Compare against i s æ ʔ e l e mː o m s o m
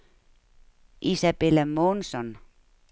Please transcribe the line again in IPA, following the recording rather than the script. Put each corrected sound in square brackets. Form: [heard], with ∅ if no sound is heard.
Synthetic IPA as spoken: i s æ [p] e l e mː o [n] s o [n]